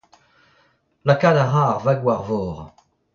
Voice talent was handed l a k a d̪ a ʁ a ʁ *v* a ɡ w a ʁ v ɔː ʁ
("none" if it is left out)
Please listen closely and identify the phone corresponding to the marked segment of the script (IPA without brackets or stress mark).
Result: v